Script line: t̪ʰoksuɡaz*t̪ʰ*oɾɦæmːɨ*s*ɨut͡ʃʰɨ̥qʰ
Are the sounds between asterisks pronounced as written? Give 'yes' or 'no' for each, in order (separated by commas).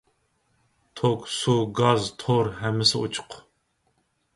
yes, yes